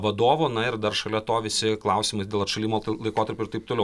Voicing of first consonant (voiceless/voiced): voiced